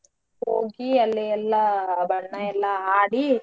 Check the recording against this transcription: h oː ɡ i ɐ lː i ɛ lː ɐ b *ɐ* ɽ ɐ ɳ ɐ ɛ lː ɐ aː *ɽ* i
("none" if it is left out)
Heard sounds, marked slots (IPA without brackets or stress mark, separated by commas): ɐ, ɽ